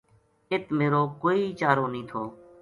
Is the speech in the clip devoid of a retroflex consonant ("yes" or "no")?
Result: yes